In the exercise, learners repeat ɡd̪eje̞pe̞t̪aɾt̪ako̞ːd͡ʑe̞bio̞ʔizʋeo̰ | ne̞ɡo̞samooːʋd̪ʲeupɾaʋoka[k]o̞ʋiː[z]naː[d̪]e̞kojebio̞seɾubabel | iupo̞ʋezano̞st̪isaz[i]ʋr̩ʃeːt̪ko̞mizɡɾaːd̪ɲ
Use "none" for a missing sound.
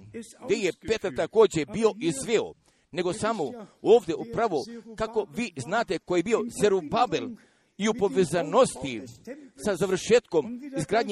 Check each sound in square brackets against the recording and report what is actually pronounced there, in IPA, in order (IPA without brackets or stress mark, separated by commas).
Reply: k, z, t̪, a